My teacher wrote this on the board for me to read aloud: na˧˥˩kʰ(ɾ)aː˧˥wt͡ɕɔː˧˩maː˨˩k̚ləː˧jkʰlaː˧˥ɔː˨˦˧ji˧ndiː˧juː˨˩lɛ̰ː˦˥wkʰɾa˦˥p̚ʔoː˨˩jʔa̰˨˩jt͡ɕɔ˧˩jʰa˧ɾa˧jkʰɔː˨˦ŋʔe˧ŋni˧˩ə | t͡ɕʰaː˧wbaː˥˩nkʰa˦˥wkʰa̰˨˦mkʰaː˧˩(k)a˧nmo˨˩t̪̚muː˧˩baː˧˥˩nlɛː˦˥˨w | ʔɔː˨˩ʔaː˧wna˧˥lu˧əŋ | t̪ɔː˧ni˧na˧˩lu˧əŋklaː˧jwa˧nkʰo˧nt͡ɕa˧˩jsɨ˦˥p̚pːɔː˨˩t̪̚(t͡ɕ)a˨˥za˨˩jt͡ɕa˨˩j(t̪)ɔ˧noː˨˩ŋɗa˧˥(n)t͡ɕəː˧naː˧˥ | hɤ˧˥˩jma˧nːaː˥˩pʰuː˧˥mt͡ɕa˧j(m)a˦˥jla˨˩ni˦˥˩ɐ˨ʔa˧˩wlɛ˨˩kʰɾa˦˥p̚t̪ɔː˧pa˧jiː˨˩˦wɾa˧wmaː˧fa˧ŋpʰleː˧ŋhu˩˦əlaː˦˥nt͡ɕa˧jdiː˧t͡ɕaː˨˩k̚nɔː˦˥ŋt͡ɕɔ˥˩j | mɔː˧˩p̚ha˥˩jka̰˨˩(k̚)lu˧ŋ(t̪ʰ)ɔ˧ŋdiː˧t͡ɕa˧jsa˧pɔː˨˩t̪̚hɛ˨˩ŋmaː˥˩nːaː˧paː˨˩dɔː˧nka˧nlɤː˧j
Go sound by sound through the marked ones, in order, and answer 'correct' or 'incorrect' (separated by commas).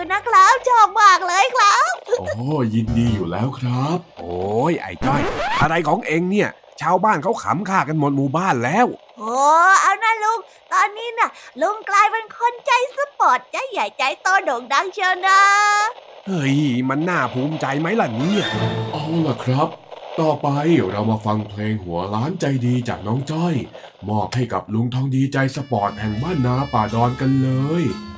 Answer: incorrect, correct, correct, correct, incorrect, correct, incorrect, correct